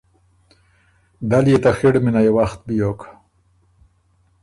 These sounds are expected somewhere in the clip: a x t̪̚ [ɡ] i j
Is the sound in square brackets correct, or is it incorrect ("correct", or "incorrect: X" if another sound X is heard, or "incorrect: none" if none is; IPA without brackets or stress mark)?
incorrect: b